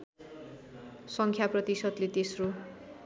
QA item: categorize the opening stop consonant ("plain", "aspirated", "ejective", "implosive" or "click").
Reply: aspirated